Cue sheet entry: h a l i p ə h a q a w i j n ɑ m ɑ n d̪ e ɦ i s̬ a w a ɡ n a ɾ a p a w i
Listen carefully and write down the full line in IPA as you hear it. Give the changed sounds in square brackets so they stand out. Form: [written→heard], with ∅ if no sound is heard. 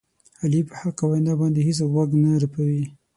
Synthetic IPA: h a l i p ə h a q a w [i→a] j n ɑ [m→b] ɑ n d̪ e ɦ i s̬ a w a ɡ n a ɾ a p a w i